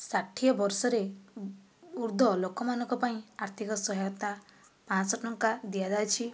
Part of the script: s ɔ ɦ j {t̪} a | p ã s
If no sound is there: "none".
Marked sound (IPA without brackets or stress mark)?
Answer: t̪